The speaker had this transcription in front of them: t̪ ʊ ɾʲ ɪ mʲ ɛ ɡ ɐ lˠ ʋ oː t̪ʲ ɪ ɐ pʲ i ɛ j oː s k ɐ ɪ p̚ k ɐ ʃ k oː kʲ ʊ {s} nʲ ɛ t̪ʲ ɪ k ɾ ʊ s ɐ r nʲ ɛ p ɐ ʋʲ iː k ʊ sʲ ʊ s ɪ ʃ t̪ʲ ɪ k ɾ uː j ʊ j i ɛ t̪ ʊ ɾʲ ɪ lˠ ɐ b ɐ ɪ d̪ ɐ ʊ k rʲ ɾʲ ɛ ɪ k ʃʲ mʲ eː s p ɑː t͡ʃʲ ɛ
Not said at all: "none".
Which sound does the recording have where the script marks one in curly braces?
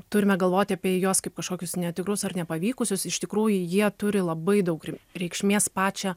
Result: s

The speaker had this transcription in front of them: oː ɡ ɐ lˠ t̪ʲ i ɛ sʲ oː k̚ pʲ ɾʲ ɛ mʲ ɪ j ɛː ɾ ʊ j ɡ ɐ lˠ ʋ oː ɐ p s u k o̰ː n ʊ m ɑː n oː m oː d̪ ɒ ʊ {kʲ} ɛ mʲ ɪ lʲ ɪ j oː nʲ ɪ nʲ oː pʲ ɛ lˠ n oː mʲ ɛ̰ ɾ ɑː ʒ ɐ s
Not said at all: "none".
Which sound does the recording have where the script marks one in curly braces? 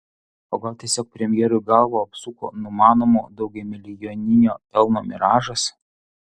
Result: ɡʲ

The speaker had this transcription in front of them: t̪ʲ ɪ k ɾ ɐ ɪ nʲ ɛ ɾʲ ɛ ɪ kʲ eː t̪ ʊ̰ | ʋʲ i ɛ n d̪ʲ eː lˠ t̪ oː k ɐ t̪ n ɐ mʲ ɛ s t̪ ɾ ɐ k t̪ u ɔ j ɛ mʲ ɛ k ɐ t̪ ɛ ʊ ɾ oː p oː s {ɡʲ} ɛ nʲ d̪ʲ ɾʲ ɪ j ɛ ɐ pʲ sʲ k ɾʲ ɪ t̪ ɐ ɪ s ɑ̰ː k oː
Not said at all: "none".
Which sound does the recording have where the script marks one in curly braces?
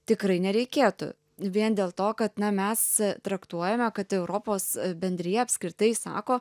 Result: bʲ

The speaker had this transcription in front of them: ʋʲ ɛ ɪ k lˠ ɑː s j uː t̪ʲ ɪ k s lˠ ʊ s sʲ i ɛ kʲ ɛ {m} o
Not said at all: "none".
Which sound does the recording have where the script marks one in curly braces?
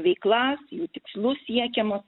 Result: m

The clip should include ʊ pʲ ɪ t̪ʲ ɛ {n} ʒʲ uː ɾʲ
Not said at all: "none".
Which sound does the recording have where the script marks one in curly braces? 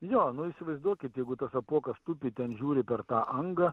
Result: n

